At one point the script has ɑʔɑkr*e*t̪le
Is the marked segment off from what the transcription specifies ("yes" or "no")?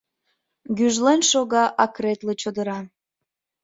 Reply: no